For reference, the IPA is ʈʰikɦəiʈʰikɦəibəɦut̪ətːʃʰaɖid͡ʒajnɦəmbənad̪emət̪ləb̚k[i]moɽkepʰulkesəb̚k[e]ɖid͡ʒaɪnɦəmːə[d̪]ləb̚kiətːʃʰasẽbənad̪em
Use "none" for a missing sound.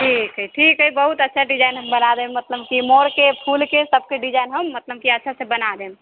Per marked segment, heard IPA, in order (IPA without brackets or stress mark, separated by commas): i, e, t̪